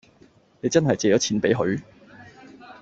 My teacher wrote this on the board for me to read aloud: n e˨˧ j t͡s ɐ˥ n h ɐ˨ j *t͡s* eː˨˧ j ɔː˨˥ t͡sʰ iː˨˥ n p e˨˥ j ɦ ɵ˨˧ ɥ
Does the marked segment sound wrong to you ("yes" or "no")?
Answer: no